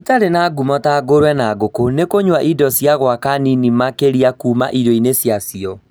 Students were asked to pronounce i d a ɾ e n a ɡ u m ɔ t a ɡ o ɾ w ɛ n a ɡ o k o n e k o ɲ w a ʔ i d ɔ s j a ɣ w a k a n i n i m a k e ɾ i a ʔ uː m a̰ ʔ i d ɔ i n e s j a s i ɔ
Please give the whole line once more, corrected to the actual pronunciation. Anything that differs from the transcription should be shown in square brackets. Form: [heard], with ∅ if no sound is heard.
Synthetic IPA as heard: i [t] a ɾ e n a ɡ u m ɔ t a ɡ o ɾ w ɛ n a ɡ o k o n e k o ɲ w a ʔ i d ɔ s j a ɣ w a k a n i n i m a k e ɾ i a [k] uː m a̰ ʔ i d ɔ i n e s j a s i ɔ